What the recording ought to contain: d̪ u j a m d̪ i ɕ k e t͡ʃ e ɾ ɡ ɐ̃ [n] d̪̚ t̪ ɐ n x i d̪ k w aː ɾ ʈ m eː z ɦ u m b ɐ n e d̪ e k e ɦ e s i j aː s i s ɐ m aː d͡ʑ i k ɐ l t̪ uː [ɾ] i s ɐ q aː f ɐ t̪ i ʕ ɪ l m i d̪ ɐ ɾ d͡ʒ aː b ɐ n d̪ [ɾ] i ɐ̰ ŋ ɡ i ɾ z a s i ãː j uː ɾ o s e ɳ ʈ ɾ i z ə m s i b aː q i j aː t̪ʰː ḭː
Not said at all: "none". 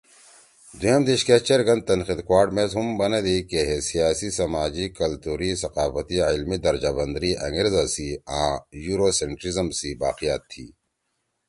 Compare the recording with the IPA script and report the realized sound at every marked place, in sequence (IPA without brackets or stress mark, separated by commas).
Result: n, ɾ, ɾ